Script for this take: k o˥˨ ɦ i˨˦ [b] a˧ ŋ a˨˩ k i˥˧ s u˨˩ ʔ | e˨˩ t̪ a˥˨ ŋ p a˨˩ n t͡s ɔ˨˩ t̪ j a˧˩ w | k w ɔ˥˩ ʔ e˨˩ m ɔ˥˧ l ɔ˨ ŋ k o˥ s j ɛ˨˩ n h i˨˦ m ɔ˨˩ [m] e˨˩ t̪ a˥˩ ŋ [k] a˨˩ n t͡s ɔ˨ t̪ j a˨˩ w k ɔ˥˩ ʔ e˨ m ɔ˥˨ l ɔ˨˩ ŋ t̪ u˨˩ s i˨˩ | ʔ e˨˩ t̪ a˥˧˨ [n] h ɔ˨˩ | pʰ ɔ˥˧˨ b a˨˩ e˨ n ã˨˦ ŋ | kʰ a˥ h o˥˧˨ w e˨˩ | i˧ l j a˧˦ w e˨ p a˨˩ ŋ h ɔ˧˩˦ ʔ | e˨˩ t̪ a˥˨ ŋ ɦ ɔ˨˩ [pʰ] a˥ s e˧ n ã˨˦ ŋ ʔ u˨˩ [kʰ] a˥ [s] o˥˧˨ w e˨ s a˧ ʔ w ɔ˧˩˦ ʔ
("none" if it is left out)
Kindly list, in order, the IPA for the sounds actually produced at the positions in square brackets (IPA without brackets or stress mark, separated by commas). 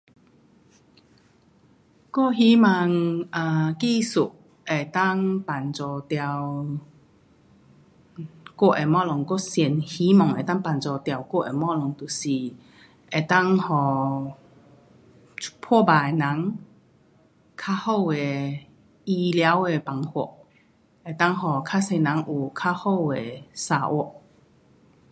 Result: m, ŋ, p, ŋ, kʰ, kʰ, h